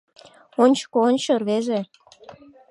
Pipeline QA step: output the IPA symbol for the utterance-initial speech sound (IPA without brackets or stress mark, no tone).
o